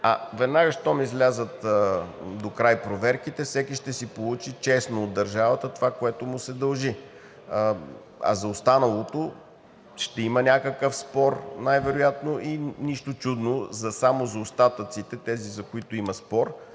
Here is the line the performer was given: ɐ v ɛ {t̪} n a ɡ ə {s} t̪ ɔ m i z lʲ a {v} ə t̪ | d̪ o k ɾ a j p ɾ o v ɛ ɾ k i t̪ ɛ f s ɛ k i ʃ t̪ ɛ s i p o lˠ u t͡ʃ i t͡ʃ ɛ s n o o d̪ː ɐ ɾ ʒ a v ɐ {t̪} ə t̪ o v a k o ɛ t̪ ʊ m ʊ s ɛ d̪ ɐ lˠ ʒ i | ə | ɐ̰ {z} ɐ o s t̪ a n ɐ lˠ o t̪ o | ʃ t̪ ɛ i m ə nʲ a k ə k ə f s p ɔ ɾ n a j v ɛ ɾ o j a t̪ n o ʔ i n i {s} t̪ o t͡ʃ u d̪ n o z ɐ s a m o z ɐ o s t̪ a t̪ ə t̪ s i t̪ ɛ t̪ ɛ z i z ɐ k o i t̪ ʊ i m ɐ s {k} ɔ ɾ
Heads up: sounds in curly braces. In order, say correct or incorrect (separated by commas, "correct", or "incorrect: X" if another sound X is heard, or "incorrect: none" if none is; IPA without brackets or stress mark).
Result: incorrect: d̪, incorrect: ʃ, incorrect: z, correct, correct, incorrect: ʃ, incorrect: p